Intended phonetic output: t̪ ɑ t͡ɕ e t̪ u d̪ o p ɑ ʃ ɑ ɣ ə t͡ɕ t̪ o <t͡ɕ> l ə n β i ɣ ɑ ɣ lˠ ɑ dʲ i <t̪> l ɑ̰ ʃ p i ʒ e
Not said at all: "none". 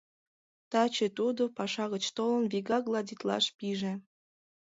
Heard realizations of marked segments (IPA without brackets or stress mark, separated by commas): none, t̪